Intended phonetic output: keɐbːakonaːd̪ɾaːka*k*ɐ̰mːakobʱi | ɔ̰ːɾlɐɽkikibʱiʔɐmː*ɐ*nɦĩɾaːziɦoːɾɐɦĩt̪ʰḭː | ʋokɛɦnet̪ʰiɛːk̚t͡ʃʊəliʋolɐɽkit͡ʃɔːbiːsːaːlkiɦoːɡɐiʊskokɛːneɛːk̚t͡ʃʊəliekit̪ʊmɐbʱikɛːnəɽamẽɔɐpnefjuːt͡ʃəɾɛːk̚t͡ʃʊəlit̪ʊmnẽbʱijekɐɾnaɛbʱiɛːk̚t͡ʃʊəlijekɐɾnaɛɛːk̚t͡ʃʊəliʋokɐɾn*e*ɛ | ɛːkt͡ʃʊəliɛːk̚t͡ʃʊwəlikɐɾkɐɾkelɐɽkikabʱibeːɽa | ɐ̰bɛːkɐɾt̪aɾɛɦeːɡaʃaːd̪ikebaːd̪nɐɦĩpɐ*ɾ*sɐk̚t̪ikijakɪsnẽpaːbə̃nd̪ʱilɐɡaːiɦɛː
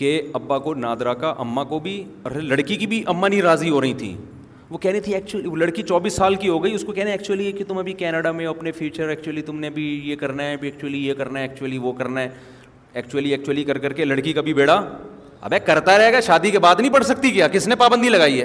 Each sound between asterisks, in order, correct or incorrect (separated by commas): incorrect, incorrect, incorrect, incorrect